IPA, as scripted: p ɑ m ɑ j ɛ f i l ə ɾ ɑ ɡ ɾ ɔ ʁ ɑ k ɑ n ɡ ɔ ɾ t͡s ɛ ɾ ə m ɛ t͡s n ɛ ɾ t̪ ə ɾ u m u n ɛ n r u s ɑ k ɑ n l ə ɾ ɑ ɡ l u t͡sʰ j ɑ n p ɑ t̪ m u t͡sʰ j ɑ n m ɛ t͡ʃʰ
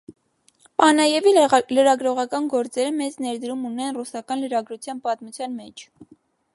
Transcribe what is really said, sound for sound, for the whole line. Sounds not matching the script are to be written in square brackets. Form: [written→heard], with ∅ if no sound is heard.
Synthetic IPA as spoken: p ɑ [m→n] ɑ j ɛ [f→v] i l ə ɾ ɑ ɡ ɾ ɔ ʁ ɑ k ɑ n ɡ ɔ ɾ t͡s ɛ ɾ ə m ɛ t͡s n ɛ ɾ [t̪→d̪] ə ɾ u m u n ɛ n r u s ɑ k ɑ n l ə ɾ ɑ ɡ [l→ɾ] u t͡sʰ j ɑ n p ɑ t̪ m u t͡sʰ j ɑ n m ɛ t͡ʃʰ